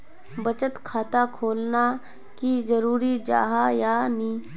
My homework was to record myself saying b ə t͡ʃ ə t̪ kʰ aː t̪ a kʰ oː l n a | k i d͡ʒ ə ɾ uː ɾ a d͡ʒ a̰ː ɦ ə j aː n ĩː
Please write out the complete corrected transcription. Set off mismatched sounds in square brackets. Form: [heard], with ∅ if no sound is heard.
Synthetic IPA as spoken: b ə t͡ʃ ə t̪ kʰ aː t̪ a kʰ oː l n a | k i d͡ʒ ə ɾ uː ɾ [i] d͡ʒ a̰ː ɦ [a] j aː n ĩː